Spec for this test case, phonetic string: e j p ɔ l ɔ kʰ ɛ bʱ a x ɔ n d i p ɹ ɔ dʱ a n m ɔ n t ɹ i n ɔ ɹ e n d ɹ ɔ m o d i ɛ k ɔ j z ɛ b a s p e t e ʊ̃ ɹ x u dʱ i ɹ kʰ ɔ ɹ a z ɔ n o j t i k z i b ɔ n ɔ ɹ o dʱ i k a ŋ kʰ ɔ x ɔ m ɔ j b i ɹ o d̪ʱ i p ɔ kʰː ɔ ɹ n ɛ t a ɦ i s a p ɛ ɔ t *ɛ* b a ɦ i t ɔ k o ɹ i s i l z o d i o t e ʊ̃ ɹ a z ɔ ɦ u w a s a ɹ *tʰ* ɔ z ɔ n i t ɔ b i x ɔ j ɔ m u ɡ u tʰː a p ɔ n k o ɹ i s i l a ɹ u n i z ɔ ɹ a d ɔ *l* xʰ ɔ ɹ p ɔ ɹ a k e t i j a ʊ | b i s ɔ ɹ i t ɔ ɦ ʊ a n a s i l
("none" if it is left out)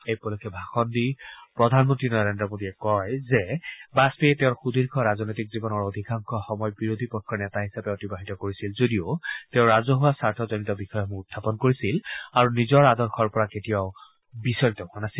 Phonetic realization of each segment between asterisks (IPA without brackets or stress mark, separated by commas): i, tʰ, ɹ